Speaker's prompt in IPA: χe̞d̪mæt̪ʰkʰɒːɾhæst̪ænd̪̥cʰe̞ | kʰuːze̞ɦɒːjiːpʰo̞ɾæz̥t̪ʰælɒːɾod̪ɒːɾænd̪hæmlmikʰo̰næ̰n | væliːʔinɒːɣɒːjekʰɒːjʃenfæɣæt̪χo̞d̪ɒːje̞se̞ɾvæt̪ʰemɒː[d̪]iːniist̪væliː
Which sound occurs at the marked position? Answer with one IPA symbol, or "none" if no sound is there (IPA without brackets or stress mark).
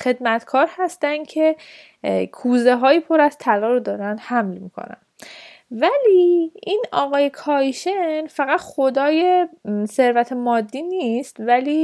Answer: d̪ː